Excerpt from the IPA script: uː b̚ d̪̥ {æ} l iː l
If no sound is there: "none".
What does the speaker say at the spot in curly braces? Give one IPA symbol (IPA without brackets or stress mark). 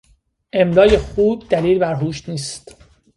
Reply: æ